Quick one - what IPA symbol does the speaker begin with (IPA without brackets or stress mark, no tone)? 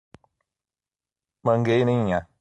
m